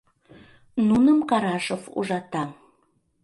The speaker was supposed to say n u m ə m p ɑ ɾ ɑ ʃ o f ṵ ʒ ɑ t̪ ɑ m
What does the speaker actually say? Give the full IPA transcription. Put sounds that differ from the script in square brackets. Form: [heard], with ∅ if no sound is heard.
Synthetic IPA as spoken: n u [n] ə m [k] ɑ ɾ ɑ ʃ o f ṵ ʒ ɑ t̪ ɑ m